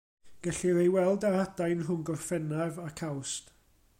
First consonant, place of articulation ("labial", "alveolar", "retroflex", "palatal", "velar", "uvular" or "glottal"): velar